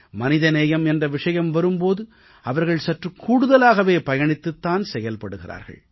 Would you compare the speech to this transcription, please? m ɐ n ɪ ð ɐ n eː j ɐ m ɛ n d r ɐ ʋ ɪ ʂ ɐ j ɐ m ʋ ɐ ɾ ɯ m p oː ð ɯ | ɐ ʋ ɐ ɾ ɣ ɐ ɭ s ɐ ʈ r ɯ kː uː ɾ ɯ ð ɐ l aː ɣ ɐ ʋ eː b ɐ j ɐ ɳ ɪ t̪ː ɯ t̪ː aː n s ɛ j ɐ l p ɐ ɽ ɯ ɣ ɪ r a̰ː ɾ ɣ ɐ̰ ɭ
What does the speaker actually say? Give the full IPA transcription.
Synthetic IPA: m ɐ n ɪ ð ɐ n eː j ɐ m ɛ n d r ɐ ʋ ɪ ʂ ɐ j ɐ m ʋ ɐ ɾ ɯ m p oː ð ɯ | ɐ ʋ ɐ ɾ ɣ ɐ ɭ s ɐ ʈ r ɯ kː uː ɽ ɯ ð ɐ l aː ɣ ɐ ʋ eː p ɐ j ɐ ɳ ɪ t̪ː ɯ t̪ː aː n s ɛ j ɐ l p ɐ ɽ ɯ ɣ ɪ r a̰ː ɾ ɣ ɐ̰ ɭ